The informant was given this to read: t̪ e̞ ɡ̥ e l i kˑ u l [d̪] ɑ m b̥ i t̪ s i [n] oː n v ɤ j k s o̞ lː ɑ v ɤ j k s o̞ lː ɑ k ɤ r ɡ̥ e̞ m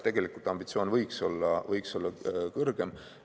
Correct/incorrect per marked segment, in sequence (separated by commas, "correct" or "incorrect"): incorrect, incorrect